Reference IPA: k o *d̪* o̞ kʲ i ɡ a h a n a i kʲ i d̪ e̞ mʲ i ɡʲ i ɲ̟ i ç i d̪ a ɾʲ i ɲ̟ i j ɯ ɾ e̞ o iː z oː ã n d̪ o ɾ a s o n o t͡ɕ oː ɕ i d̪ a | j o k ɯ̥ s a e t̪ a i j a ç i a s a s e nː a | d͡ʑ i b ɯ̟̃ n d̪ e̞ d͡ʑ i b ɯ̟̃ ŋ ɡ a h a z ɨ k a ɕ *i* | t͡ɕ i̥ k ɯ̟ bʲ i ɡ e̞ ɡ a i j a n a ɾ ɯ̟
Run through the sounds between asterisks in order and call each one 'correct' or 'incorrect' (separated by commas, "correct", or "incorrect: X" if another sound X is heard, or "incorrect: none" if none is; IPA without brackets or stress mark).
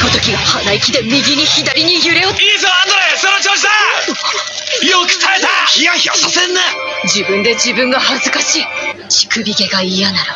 incorrect: t̪, incorrect: iː